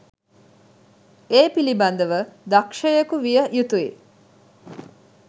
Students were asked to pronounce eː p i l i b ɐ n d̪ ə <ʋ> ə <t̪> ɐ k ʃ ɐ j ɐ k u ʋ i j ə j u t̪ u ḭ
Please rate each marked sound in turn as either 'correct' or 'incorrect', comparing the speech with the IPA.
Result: correct, incorrect: d̪

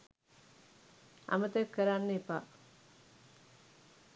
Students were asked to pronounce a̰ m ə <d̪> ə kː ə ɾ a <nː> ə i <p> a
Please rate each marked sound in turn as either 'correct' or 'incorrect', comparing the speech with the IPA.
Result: incorrect: t̪, correct, correct

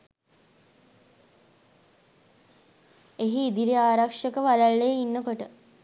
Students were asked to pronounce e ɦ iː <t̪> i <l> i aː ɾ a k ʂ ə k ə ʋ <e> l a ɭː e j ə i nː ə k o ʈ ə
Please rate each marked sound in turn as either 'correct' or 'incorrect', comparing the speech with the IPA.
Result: incorrect: d̪, incorrect: ɾ, incorrect: a

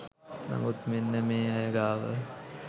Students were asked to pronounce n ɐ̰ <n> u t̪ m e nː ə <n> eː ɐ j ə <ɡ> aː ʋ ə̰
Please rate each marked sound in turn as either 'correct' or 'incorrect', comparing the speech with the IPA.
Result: incorrect: m, incorrect: m, correct

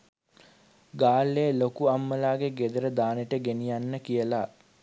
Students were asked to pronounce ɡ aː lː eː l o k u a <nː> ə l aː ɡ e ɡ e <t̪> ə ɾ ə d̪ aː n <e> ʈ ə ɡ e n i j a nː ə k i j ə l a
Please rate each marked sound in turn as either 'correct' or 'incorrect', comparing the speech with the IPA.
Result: incorrect: mː, incorrect: d̪, correct

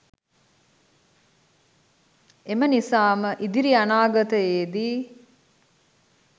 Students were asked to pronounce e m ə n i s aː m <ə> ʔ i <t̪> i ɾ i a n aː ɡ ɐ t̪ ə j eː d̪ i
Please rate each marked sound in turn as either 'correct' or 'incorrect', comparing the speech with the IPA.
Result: correct, incorrect: d̪

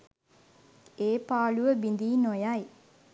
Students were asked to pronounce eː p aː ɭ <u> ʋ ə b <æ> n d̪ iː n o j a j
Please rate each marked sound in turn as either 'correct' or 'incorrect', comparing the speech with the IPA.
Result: correct, incorrect: i

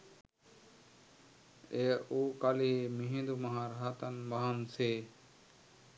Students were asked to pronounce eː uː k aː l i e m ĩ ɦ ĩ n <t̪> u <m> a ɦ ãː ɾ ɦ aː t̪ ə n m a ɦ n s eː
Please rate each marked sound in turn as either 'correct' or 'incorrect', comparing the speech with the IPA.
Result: incorrect: d̪, correct

